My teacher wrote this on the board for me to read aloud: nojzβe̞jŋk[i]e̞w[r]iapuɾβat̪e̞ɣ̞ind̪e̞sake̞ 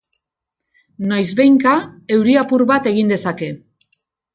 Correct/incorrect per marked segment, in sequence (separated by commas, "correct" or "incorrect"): incorrect, incorrect